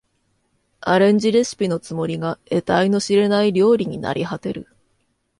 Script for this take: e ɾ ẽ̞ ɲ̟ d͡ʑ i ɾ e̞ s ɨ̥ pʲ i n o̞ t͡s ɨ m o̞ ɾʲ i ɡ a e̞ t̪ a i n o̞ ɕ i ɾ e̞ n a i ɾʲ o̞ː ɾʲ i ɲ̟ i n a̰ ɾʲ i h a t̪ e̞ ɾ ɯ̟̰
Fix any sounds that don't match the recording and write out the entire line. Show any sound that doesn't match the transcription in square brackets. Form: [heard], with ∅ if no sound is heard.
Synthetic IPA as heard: [a] ɾ ẽ̞ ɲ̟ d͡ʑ i ɾ e̞ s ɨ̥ pʲ i n o̞ t͡s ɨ m o̞ ɾʲ i ɡ a e̞ t̪ a i n o̞ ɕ i ɾ e̞ n a i ɾʲ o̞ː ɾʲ i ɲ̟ i n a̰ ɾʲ i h a t̪ e̞ ɾ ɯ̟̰